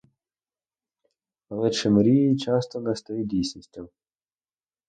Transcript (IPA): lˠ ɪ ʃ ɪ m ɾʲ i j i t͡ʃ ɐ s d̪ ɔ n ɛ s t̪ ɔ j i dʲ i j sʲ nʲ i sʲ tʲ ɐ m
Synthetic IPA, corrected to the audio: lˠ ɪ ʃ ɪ m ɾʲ i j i t͡ʃ ɑ s t̪ ɔ n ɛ s t̪ ɔ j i dʲ i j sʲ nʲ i sʲ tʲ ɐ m